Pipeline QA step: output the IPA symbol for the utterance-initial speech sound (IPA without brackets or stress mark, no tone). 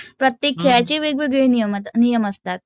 p